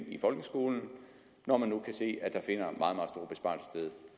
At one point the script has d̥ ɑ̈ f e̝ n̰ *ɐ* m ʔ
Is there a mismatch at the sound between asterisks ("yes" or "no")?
no